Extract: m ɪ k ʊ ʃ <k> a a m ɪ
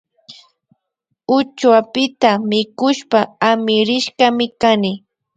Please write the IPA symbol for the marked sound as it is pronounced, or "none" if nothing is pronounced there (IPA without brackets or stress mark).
p